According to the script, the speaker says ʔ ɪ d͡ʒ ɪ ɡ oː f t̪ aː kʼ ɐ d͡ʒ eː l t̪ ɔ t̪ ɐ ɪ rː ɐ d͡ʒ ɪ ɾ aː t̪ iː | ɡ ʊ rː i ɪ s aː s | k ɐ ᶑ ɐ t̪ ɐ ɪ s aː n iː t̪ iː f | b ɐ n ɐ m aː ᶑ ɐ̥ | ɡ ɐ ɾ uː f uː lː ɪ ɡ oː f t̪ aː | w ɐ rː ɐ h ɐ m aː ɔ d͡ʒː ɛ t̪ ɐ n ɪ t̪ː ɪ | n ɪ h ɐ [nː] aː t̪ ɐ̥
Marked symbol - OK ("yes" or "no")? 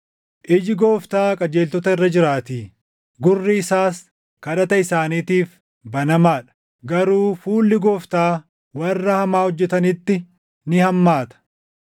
no